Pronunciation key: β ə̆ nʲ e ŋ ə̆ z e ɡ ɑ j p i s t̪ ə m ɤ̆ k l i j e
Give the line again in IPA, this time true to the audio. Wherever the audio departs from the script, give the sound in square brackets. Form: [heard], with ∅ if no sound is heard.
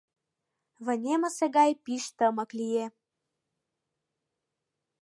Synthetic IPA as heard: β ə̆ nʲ e [m] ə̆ [s] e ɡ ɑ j p i [ʃ] t̪ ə m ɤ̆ k l i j e